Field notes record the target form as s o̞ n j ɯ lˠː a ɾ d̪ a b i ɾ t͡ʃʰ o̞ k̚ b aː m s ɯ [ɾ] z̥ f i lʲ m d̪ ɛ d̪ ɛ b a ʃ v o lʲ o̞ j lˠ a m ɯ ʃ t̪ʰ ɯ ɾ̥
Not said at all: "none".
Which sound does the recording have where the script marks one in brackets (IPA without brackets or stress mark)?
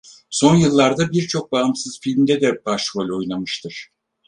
none